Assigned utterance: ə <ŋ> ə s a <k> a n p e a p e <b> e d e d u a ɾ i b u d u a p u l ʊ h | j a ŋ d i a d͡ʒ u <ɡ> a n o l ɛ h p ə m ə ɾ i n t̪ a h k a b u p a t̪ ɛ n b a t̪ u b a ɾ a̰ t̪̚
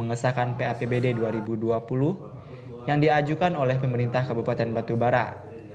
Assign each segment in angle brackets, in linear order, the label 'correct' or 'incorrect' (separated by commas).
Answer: correct, correct, correct, incorrect